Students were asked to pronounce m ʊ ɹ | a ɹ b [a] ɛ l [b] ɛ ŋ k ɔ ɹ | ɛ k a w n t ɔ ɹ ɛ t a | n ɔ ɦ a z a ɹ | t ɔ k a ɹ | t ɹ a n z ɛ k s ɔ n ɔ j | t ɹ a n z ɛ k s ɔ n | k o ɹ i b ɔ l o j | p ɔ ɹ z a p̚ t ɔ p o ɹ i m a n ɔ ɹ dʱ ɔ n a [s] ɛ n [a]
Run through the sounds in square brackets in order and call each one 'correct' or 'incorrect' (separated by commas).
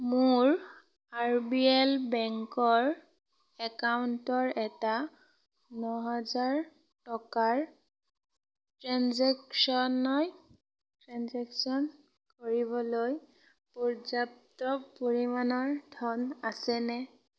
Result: incorrect, correct, correct, incorrect